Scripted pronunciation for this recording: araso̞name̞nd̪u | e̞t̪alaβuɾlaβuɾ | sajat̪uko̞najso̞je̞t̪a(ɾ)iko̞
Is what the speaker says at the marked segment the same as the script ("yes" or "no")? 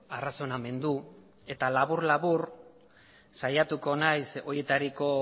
yes